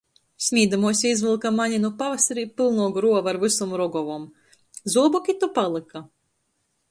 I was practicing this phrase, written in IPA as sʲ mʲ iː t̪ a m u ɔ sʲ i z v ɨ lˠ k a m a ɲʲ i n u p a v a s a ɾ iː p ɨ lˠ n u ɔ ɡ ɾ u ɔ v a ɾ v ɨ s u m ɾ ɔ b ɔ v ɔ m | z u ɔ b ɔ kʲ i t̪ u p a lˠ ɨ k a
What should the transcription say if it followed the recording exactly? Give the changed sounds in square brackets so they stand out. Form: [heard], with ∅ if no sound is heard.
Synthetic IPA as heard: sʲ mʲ iː [d̪] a m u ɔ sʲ i z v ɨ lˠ k a m a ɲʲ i n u p a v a s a ɾ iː p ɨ lˠ n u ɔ ɡ ɾ u ɔ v a ɾ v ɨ s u m ɾ ɔ [ɡ] ɔ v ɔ m | z u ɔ b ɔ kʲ i t̪ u p a lˠ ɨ k a